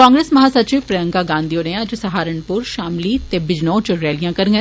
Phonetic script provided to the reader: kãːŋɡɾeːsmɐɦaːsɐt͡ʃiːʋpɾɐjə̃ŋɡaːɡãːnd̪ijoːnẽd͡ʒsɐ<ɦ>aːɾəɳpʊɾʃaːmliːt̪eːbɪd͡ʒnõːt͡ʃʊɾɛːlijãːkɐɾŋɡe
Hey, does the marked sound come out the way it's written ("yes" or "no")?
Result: yes